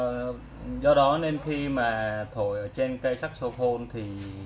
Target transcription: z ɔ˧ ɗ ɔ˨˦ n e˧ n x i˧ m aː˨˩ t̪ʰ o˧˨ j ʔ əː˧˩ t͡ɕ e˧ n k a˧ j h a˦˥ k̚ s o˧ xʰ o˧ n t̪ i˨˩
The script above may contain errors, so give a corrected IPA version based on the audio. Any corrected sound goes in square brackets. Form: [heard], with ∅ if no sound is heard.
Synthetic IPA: z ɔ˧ ɗ ɔ˨˦ n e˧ n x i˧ m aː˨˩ t̪ʰ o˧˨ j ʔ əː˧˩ t͡ɕ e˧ n k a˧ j [s] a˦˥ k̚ s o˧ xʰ o˧ n [t̪ʰ] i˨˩